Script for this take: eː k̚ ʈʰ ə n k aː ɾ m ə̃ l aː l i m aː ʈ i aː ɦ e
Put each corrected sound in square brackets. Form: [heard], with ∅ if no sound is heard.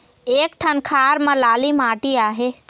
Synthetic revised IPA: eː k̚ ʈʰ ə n [kʰ] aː ɾ m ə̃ l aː l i m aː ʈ i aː ɦ e